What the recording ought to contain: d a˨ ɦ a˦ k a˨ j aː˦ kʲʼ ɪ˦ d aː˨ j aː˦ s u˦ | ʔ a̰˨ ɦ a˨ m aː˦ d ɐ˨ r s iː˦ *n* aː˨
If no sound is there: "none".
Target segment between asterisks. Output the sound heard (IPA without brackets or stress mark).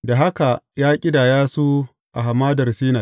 n